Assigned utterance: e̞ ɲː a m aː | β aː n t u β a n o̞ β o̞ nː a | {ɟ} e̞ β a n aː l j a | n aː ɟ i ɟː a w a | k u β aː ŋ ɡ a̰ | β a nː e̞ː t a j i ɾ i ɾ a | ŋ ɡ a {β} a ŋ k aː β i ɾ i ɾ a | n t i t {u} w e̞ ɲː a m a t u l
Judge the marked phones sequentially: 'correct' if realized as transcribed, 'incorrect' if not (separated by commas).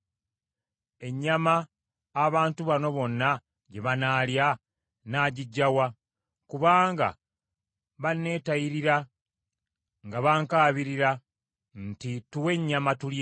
correct, correct, correct